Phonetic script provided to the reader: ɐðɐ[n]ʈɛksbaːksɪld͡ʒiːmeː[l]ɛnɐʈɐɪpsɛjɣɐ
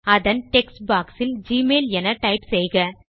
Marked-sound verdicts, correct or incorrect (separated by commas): correct, correct